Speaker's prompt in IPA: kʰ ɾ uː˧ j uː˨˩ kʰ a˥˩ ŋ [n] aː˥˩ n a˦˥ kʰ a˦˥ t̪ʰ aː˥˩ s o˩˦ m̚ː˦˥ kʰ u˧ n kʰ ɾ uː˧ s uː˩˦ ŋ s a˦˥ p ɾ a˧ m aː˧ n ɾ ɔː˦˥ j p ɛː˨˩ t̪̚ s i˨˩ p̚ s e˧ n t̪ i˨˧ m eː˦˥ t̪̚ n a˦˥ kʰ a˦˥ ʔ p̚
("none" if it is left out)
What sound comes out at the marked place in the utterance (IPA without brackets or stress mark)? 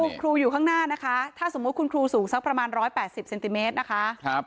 n